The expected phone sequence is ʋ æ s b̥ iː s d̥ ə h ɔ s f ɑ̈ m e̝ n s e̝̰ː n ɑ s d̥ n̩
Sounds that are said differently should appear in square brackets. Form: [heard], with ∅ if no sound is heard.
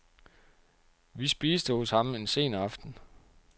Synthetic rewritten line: ʋ [i] s b̥ iː s d̥ ə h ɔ s [h] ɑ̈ m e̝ n s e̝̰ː n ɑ [f] d̥ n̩